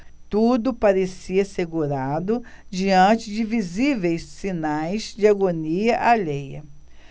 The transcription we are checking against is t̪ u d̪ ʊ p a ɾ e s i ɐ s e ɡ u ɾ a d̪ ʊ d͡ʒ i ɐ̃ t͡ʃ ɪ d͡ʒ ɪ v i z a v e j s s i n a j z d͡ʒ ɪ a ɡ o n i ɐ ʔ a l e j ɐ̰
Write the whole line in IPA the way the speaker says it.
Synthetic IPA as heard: t̪ u d̪ ʊ p a ɾ e s i ɐ s e ɡ u ɾ a d̪ ʊ d͡ʒ i ɐ̃ t͡ʃ ɪ d͡ʒ ɪ v i z i v e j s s i n a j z d͡ʒ ɪ a ɡ o n i ɐ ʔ a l e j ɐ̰